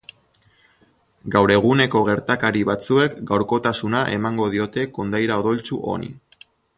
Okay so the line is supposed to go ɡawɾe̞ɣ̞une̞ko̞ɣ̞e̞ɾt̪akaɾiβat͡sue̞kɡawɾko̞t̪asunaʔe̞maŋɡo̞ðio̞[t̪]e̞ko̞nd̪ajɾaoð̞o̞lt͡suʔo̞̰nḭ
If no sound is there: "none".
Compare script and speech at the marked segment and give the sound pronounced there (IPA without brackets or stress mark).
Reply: t̪